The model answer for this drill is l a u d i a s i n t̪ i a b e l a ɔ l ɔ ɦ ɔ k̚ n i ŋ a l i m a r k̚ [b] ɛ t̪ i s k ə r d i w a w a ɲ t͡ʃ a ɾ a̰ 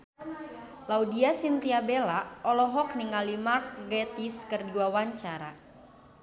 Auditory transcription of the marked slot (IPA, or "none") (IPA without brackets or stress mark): ɡ